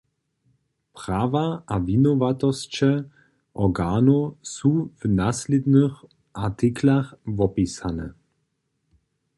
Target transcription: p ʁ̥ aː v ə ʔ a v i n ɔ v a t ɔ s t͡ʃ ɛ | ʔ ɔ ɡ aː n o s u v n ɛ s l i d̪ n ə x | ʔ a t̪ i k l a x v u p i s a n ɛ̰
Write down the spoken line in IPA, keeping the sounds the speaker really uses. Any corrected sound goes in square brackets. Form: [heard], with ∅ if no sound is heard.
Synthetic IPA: p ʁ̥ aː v [a] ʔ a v i n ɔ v a t ɔ s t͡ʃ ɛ | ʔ ɔ ɡ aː n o s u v n [a] s l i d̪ n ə x | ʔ a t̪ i k l a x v [ɔ] p i s a n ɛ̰